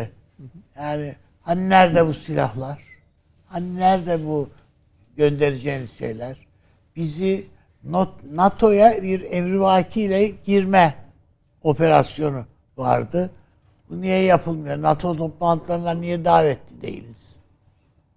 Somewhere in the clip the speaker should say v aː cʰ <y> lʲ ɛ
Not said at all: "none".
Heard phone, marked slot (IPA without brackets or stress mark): i